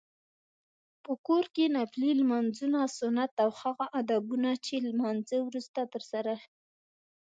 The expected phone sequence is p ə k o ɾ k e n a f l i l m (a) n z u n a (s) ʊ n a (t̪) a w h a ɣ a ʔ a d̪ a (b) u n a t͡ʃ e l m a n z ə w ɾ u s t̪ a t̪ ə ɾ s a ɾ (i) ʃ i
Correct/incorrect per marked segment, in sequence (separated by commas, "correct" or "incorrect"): correct, correct, correct, correct, incorrect